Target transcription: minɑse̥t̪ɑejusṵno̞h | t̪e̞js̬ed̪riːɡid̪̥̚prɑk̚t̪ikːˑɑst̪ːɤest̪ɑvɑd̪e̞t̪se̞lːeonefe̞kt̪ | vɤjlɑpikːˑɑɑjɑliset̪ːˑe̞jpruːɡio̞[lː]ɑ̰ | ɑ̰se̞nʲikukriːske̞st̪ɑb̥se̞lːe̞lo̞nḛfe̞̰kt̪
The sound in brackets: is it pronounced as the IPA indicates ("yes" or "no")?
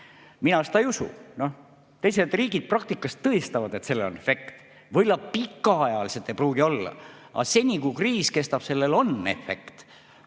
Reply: yes